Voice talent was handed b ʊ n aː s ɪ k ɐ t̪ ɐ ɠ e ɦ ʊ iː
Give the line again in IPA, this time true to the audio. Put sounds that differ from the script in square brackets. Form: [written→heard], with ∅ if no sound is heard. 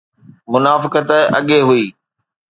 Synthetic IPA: [b→m] ʊ n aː [s→f] ɪ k [ɐ→ə] t̪ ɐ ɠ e ɦ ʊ iː